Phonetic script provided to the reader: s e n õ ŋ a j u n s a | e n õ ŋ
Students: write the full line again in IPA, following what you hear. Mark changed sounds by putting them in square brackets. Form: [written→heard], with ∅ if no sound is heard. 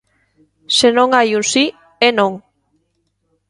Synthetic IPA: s e n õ ŋ a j u n s [a→i] | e n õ ŋ